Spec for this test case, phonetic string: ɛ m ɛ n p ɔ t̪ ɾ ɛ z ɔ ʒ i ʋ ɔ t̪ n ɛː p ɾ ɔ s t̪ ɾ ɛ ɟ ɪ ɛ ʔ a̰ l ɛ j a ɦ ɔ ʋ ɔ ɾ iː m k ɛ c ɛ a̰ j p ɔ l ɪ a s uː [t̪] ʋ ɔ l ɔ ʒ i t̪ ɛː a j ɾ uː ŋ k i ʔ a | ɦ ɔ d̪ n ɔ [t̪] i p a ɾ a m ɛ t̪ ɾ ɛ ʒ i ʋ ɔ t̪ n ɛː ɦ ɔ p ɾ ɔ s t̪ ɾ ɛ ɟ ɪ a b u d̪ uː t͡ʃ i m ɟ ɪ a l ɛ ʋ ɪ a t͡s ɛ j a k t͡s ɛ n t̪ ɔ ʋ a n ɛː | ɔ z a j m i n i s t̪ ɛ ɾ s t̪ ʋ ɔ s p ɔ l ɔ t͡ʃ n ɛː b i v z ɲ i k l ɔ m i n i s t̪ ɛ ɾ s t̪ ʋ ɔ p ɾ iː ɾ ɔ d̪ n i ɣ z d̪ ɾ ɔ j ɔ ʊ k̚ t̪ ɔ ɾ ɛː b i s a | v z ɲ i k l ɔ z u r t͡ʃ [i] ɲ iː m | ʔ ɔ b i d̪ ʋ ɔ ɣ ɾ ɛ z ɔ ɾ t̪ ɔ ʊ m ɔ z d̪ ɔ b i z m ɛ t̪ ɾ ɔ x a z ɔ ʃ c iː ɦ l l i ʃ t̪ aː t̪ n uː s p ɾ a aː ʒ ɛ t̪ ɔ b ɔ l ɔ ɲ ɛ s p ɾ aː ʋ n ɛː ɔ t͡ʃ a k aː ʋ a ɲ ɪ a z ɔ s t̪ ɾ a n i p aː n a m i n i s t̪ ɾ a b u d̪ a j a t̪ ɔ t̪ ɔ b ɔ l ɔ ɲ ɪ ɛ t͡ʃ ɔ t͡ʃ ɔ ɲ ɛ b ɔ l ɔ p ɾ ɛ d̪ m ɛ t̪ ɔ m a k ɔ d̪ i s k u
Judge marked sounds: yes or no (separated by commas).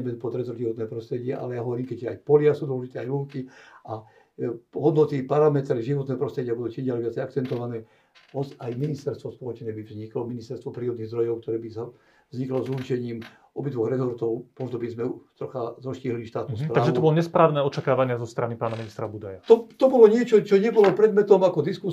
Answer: no, yes, no